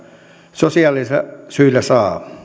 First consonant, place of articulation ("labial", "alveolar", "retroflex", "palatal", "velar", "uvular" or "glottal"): alveolar